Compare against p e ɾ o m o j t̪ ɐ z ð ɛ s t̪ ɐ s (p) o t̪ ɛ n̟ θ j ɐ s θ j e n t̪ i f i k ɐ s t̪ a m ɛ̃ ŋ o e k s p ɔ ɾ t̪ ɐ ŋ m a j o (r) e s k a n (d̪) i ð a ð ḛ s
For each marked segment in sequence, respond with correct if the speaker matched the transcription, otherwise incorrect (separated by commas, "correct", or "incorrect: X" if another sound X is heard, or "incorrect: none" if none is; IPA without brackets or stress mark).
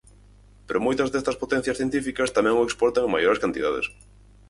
correct, incorrect: ɾ, incorrect: t̪